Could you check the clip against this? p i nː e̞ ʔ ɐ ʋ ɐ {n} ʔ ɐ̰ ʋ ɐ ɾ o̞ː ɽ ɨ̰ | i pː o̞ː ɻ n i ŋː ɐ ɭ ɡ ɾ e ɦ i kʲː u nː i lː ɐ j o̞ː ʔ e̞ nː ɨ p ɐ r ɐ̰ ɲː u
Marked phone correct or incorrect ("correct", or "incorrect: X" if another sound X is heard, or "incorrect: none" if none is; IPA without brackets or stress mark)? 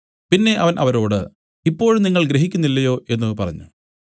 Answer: correct